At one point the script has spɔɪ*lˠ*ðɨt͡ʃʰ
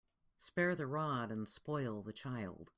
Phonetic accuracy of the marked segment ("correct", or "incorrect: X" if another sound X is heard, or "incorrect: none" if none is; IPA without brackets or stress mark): correct